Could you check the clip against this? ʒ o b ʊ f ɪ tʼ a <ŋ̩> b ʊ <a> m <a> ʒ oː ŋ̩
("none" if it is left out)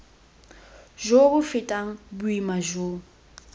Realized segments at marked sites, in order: ŋ̩, i, a

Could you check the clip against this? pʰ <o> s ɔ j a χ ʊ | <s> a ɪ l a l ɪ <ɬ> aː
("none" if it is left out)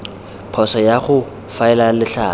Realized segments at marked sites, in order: ɔ, f, ɬ

